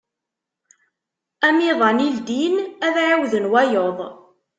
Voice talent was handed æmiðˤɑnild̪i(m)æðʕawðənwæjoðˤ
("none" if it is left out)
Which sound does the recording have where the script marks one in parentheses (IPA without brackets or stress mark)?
n